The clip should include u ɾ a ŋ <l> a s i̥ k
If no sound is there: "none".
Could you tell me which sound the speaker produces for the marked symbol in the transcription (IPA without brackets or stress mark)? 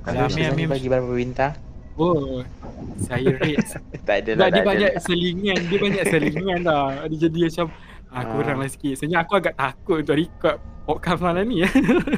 l